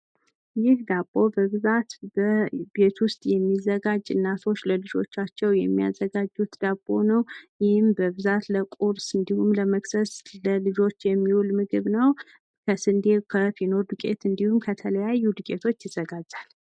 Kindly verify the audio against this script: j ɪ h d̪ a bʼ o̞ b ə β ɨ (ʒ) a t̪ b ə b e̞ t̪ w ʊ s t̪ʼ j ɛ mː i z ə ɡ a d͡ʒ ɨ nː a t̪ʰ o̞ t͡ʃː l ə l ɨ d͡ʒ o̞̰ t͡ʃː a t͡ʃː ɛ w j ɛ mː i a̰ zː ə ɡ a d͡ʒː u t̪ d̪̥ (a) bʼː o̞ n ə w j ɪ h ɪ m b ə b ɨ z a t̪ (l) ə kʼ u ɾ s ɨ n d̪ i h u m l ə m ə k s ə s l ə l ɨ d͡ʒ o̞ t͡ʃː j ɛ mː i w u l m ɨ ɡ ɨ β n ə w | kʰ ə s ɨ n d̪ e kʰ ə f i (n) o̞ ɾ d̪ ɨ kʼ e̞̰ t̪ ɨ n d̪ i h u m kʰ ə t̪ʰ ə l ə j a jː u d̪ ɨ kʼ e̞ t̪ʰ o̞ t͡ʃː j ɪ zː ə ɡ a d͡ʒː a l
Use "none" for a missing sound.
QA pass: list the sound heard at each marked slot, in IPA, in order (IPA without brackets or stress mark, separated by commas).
z, a, l, n